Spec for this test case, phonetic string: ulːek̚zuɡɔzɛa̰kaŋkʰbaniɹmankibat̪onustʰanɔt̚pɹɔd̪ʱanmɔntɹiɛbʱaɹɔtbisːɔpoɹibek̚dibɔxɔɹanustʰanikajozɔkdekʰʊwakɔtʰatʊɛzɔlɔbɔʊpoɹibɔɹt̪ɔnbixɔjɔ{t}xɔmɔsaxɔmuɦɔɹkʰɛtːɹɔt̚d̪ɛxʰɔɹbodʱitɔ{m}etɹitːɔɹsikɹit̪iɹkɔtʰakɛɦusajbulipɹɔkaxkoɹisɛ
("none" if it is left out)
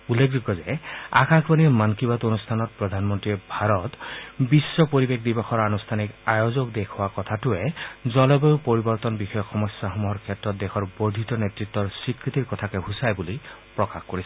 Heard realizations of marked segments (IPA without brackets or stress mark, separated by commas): k, n